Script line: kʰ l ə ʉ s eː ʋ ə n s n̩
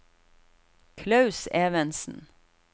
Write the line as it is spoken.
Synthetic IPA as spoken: kʰ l ɑ ʉ s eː ʋ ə n s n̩